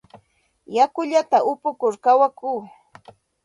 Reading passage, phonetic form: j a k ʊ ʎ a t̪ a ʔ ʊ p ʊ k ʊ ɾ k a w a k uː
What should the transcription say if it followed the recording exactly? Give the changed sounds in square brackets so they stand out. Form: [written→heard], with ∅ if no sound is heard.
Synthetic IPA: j a k ʊ ʎ a t̪ a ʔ ʊ p ʊ k ʊ ɾ k a w a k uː